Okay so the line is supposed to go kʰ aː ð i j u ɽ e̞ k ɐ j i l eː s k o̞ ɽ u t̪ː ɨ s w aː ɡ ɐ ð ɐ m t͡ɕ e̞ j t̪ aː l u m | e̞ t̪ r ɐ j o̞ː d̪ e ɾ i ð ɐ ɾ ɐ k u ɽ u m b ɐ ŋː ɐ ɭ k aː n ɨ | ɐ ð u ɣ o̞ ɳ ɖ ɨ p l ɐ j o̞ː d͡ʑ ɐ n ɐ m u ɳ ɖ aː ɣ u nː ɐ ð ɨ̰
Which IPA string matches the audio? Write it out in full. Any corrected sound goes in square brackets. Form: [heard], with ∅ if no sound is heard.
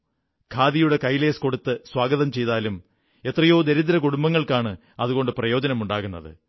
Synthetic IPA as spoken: kʰ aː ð i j u ɽ e̞ k ɐ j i l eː s k o̞ ɽ u t̪ː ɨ s w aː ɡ ɐ ð ɐ m t͡ɕ e̞ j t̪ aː l u m | e̞ t̪ r ɐ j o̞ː d̪ e ɾ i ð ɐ ɾ ɐ k u ɽ u m b ɐ ŋː ɐ ɭ k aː [ɳ] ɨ | ɐ ð u ɣ o̞ ɳ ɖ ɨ p [r] ɐ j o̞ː d͡ʑ ɐ n ɐ m u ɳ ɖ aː ɣ u nː ɐ ð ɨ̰

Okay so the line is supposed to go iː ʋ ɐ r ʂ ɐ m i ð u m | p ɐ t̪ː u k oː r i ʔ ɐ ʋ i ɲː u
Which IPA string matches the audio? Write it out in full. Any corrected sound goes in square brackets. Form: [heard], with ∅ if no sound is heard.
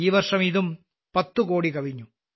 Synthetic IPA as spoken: iː ʋ ɐ r ʂ ɐ m i ð u m | p ɐ t̪ː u k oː [ɽ] i [k] ɐ ʋ i ɲː u

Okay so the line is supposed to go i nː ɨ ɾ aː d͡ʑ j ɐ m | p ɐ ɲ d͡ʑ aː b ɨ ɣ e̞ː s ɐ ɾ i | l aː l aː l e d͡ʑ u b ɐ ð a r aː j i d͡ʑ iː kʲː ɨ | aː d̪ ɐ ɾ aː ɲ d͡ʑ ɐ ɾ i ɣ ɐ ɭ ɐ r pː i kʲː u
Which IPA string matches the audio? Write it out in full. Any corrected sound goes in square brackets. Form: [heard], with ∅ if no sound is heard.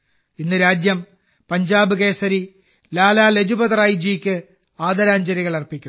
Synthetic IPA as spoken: i nː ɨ ɾ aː d͡ʑ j ɐ m | p ɐ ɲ d͡ʑ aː b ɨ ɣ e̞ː s ɐ ɾ i | l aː l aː l e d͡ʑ u b ɐ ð [ɐ] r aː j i d͡ʑ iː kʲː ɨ | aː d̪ ɐ ɾ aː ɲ d͡ʑ ɐ ɾ i ɣ ɐ ɭ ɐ r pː i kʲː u

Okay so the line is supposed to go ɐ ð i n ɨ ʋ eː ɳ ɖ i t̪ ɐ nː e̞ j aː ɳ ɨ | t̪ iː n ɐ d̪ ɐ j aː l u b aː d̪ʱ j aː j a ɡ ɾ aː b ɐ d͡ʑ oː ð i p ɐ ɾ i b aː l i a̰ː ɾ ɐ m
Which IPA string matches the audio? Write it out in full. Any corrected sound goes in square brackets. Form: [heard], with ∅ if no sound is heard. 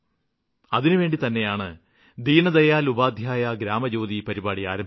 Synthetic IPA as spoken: ɐ ð i n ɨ ʋ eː ɳ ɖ i t̪ ɐ nː e̞ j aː ɳ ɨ | [d̪] iː n ɐ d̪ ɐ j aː l u b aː d̪ʱ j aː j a ɡ ɾ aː [m] ɐ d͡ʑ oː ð i p ɐ ɾ i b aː [ɽ] i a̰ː ɾ ɐ m

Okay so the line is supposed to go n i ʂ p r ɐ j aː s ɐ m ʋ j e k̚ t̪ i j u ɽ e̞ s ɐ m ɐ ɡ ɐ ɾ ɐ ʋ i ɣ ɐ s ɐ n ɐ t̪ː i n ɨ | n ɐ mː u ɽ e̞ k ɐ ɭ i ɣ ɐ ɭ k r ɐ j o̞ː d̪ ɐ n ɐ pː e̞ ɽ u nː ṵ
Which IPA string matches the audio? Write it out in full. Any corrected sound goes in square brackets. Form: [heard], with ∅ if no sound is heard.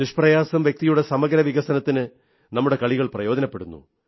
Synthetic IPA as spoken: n i ʂ p r ɐ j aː s ɐ m ʋ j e k̚ t̪ i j u ɽ e̞ s ɐ m ɐ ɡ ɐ ɾ ɐ ʋ i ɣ ɐ s ɐ n ɐ t̪ː i n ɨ | n ɐ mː u ɽ e̞ k ɐ ɭ i ɣ ɐ ɭ [p] r ɐ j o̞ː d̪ ɐ n ɐ pː e̞ ɽ u nː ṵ

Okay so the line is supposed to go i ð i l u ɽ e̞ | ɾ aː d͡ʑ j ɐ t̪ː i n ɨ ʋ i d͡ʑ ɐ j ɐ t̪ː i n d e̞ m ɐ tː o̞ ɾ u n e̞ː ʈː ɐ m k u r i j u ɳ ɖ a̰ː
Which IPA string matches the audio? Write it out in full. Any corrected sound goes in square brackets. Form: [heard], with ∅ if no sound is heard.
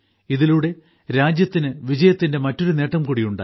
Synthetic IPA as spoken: i ð i l u ɽ e̞ | ɾ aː d͡ʑ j ɐ t̪ː i n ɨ ʋ i d͡ʑ ɐ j ɐ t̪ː i n d e̞ m ɐ tː o̞ ɾ u n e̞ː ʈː ɐ m k u [ɽ] i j u ɳ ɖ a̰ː

